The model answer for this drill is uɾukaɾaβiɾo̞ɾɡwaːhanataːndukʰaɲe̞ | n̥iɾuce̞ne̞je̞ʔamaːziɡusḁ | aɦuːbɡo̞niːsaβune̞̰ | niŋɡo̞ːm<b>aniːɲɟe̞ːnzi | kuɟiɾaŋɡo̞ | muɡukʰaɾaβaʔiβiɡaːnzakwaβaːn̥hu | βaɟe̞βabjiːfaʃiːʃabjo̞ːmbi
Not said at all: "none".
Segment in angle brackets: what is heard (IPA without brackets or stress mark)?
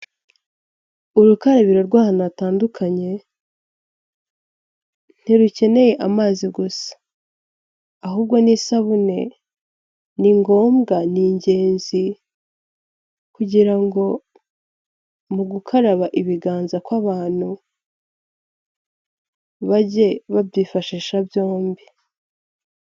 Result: ɡ